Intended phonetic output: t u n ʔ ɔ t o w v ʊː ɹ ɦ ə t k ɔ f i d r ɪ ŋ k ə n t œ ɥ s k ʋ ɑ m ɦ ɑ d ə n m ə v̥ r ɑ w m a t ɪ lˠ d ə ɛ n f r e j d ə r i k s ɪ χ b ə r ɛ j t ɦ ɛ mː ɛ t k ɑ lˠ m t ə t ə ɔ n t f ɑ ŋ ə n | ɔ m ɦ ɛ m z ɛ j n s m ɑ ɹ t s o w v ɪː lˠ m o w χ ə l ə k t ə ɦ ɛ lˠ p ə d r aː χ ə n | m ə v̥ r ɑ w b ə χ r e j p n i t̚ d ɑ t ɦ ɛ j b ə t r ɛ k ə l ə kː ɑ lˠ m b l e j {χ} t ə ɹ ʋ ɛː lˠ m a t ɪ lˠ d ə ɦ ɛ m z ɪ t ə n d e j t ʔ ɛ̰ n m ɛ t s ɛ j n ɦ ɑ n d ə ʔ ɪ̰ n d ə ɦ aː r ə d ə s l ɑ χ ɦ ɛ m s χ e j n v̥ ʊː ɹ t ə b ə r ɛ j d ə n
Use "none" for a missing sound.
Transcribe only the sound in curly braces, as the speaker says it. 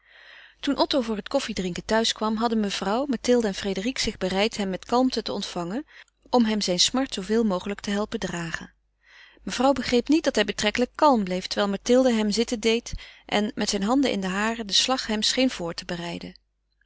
f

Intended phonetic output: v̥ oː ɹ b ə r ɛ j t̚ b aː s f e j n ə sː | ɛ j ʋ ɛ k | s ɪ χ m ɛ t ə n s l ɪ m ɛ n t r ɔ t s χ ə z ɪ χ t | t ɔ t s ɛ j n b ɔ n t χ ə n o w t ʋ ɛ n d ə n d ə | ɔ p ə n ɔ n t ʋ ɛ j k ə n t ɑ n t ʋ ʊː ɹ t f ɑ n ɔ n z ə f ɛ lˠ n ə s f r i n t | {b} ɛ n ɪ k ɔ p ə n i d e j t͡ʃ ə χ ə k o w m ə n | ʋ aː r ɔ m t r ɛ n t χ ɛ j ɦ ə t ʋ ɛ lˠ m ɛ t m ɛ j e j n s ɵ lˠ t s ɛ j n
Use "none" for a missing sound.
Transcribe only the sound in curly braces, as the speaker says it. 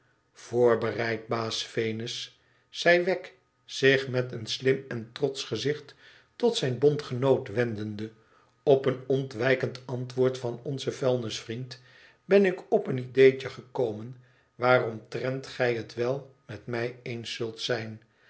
b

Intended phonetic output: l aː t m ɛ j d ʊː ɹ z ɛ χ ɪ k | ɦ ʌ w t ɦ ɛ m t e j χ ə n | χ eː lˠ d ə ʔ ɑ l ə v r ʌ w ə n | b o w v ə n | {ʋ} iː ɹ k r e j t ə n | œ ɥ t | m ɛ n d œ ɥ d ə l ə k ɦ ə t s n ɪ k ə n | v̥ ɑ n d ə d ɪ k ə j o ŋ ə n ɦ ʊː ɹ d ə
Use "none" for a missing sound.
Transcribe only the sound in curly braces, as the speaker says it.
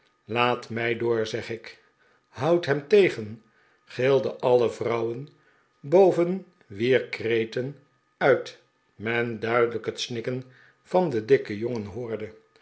ʋ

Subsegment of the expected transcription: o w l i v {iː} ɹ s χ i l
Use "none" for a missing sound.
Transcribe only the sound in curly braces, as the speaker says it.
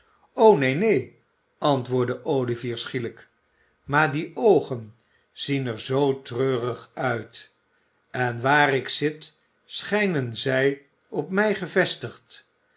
iː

